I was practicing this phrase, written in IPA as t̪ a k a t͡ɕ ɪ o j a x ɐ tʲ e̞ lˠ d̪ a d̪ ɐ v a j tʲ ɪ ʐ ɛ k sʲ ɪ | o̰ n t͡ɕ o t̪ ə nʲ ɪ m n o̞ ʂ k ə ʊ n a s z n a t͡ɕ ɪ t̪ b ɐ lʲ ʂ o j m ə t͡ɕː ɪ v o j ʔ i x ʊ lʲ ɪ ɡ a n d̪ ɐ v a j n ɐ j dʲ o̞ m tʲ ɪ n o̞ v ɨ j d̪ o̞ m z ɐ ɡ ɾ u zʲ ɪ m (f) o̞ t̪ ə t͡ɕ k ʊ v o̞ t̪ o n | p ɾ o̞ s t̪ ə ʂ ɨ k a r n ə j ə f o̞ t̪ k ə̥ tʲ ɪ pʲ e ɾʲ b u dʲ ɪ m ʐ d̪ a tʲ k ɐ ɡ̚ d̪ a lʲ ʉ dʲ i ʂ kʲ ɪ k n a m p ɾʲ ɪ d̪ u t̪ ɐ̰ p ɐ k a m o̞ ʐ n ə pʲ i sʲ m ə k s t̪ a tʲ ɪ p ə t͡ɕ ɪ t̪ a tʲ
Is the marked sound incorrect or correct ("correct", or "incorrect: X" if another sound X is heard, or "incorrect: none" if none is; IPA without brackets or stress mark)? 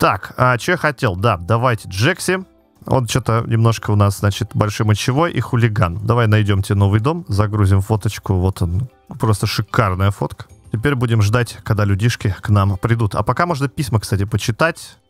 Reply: correct